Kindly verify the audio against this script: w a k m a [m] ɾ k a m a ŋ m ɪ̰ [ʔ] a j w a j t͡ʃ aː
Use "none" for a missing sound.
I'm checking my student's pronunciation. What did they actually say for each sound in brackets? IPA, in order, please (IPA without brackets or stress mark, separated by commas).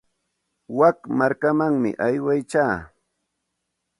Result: none, ʔ